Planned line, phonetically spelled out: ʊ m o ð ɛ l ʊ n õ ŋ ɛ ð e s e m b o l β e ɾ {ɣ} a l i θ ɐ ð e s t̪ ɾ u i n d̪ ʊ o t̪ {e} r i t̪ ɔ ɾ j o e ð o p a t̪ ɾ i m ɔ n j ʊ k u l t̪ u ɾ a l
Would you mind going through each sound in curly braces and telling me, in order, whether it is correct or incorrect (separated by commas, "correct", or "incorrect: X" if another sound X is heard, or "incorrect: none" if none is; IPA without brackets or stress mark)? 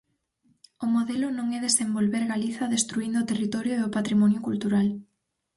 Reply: correct, correct